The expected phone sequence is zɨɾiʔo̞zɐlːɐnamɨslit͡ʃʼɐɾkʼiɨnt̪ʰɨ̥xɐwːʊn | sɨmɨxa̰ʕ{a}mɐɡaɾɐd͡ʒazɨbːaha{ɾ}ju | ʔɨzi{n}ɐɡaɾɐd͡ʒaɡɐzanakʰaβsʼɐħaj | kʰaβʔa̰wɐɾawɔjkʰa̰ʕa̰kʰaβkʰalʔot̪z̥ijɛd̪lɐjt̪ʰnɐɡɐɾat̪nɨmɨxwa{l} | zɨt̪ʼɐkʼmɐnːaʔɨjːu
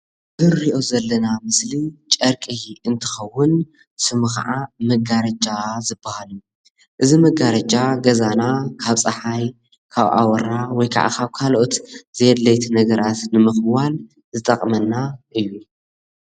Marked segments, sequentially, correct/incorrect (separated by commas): correct, incorrect, incorrect, correct